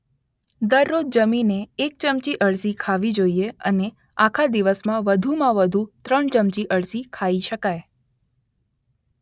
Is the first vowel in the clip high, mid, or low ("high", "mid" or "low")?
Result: mid